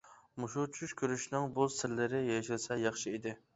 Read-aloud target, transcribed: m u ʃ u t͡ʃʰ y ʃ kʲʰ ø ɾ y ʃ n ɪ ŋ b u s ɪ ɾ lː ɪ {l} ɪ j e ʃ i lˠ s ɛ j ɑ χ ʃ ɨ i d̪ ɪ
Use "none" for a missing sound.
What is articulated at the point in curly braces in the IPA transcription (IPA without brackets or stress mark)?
ɾ